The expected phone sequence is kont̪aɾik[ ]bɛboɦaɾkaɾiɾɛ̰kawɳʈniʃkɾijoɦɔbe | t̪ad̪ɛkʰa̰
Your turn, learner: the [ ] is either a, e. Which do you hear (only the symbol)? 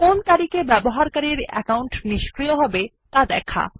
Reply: e